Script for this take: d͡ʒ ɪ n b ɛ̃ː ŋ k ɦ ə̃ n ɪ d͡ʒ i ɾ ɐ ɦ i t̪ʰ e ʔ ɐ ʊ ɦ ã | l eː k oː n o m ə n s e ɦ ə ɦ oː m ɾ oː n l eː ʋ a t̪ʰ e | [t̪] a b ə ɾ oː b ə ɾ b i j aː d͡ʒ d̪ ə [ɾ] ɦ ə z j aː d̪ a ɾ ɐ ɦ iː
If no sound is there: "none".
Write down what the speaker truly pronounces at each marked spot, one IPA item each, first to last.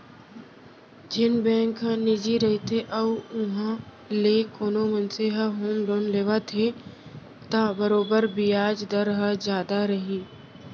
t̪, ɾ

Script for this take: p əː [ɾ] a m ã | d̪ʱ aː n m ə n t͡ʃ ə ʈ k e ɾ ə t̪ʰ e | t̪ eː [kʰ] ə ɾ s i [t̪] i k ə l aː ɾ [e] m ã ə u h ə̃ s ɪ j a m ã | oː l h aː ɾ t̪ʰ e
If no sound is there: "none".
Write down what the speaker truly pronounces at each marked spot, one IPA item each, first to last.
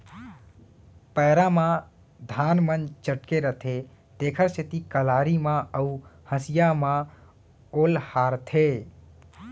ɾ, kʰ, t̪, i

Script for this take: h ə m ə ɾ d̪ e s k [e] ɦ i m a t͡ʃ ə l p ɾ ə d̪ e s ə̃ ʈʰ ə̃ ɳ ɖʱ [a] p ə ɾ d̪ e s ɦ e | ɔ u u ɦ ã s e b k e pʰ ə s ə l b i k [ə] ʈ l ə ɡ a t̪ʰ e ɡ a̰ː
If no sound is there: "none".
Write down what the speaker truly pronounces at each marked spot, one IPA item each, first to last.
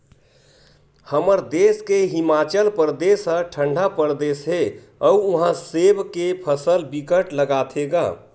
e, a, ə

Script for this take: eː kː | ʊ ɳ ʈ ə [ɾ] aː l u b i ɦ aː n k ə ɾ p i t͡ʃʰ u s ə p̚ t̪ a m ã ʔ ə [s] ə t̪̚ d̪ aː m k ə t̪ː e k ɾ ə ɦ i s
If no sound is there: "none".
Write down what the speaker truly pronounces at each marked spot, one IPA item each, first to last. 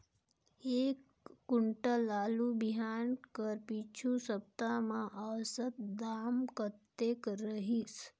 l, s

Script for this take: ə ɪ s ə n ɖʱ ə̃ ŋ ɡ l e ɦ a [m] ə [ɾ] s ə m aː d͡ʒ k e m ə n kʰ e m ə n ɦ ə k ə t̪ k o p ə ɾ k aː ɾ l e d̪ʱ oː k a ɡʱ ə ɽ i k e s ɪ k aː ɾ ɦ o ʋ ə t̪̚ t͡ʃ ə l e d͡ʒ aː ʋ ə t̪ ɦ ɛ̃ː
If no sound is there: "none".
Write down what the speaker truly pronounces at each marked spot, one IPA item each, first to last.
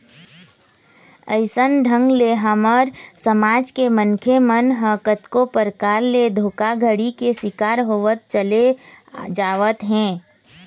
m, ɾ

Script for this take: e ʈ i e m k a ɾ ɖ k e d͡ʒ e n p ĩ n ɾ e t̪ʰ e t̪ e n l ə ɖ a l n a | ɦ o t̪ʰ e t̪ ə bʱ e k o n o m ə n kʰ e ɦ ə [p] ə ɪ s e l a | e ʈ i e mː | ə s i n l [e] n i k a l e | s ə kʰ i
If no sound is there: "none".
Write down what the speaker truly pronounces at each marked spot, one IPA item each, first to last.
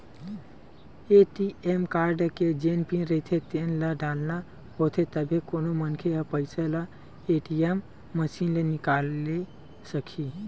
p, e

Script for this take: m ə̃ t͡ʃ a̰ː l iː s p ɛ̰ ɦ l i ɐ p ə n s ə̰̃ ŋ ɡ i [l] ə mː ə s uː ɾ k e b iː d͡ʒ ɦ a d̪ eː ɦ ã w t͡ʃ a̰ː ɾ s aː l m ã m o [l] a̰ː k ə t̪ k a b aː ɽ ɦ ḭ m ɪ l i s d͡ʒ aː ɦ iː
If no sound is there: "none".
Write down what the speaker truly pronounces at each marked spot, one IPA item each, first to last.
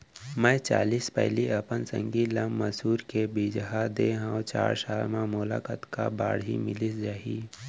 l, l

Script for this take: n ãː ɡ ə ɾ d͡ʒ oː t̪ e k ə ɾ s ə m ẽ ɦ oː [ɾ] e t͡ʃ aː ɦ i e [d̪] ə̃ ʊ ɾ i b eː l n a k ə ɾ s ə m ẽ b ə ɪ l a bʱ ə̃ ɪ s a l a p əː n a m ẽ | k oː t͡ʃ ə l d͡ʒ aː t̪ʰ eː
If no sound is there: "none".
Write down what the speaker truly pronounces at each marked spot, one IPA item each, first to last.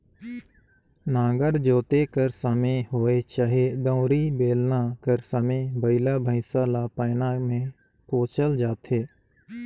none, d̪

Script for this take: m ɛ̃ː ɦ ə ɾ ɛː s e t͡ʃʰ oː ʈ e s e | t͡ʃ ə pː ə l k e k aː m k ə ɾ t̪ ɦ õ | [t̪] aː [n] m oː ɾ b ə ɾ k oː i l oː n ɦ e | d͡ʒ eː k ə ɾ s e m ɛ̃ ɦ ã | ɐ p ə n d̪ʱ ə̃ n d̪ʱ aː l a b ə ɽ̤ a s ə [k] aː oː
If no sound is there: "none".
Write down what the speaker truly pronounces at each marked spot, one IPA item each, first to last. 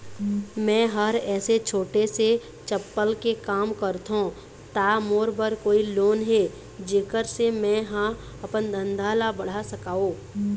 t̪, none, k

